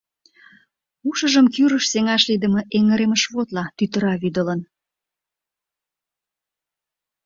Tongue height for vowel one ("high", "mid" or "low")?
high